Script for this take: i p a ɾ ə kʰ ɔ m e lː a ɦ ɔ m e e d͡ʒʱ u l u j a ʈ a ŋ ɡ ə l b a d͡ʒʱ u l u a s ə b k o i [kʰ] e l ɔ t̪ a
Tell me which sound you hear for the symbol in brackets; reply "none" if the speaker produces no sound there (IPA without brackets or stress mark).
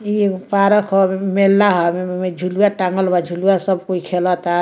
kʰ